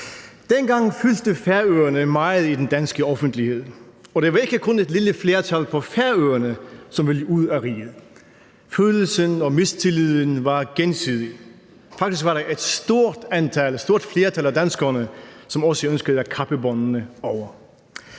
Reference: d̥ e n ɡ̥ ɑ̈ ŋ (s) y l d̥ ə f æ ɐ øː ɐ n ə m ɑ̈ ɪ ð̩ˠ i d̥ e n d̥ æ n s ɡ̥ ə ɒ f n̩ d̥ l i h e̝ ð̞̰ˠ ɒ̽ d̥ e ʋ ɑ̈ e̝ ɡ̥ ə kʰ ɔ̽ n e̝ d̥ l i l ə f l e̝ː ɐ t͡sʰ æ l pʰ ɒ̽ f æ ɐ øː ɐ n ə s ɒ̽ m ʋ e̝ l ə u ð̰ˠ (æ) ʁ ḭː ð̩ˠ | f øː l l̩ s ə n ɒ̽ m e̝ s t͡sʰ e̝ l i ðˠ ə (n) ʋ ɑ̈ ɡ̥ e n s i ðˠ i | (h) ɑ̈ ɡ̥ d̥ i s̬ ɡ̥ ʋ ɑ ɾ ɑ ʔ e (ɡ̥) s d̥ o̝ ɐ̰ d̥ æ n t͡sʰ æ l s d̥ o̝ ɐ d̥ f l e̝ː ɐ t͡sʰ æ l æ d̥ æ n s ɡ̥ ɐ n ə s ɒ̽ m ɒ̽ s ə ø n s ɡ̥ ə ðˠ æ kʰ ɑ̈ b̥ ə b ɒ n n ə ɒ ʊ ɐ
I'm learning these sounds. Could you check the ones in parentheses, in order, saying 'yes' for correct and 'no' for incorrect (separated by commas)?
no, yes, yes, no, no